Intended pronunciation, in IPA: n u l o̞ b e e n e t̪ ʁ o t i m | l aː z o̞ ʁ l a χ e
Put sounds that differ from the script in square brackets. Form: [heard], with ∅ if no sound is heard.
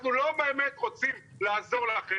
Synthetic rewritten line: n u l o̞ b e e [m] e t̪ ʁ o [t͡s] i m | l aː z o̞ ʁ l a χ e